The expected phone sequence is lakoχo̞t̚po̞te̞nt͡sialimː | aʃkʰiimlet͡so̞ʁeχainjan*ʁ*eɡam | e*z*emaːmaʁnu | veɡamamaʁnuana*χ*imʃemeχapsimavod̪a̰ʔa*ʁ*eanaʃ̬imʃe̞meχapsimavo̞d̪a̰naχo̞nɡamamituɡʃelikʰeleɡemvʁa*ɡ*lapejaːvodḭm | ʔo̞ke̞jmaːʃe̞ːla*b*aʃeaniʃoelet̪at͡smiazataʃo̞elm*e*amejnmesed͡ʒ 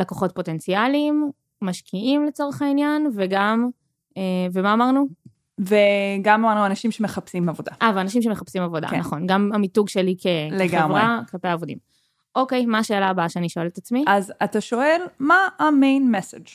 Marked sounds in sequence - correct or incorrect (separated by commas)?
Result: incorrect, incorrect, incorrect, incorrect, incorrect, correct, incorrect